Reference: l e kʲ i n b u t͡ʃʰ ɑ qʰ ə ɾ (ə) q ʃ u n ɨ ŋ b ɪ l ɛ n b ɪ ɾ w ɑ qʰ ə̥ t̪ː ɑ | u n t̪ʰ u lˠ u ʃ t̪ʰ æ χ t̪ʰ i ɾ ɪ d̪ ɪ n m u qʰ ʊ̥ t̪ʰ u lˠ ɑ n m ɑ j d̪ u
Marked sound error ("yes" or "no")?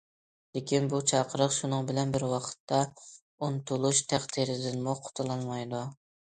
no